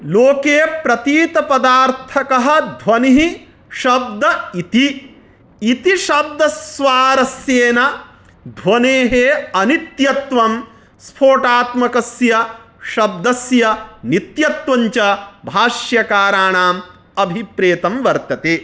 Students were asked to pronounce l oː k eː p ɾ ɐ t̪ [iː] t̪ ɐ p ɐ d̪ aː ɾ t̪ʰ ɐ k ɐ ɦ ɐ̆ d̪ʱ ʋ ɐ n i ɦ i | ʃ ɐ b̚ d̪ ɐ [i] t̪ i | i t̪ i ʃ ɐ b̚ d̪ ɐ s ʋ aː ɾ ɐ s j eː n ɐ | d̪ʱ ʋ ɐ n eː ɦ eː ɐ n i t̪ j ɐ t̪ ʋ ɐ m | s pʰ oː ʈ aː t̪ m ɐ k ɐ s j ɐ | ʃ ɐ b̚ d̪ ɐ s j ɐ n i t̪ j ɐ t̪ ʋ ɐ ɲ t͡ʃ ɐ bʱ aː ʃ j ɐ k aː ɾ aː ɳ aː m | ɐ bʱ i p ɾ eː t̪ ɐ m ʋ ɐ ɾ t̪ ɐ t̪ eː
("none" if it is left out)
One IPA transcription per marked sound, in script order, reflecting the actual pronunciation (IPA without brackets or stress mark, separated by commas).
iː, i